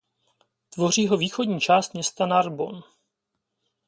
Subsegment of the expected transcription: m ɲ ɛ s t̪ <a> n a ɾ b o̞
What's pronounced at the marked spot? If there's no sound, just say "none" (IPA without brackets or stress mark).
a